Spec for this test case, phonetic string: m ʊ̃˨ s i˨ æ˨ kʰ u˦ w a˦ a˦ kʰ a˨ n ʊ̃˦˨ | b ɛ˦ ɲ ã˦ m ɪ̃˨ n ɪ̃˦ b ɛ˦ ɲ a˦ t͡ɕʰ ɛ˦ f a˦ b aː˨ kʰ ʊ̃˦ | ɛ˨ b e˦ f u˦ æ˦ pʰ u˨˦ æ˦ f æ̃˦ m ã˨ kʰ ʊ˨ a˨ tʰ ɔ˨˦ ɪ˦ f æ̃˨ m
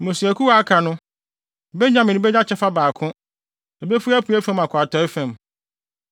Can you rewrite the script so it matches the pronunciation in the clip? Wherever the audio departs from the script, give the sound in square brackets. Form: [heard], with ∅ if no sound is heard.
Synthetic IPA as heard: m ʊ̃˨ s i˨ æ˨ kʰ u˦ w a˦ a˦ kʰ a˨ n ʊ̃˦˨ | b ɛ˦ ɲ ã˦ m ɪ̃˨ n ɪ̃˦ b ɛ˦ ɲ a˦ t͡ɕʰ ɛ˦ f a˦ b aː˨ kʰ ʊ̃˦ | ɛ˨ b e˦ f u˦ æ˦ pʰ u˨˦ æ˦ f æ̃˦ m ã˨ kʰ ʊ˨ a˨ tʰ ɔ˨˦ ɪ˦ f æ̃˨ m